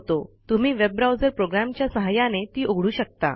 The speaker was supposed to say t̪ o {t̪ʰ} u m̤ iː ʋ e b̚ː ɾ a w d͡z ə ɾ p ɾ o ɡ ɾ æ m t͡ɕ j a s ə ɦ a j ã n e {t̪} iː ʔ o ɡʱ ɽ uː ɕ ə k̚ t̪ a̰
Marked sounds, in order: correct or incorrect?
incorrect: t̪, correct

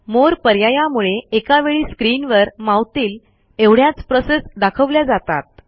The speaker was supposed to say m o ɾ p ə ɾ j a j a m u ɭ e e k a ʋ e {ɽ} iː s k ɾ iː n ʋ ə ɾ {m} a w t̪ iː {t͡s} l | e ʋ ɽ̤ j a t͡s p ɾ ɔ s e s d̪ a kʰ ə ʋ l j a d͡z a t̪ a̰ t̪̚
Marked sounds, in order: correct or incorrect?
incorrect: ɭ, correct, incorrect: none

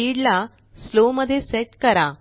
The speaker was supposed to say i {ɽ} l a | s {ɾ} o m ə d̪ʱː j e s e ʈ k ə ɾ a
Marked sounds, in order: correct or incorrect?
correct, incorrect: l

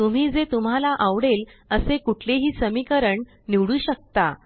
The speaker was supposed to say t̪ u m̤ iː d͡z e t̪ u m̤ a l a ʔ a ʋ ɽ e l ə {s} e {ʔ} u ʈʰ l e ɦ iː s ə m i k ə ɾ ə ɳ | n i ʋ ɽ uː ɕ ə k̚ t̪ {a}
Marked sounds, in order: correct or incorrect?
correct, incorrect: k, correct

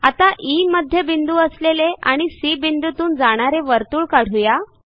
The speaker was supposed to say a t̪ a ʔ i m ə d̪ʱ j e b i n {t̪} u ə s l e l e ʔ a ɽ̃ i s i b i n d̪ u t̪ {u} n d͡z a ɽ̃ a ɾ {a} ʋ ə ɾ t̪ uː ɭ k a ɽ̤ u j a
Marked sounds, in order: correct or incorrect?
incorrect: d̪, incorrect: uː, incorrect: e

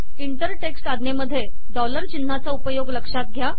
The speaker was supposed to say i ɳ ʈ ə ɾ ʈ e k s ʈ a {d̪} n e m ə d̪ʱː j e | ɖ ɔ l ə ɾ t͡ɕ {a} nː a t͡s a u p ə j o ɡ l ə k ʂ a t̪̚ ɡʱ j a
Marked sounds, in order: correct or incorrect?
correct, incorrect: i

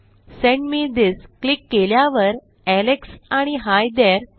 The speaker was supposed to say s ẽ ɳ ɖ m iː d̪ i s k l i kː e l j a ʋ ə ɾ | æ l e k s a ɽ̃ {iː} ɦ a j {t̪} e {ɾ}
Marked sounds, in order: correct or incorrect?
incorrect: i, incorrect: d̪, correct

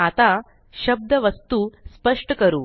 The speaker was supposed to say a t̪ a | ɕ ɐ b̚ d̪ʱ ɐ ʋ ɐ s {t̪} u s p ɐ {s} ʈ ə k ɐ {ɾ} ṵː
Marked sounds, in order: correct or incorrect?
correct, incorrect: ʂ, correct

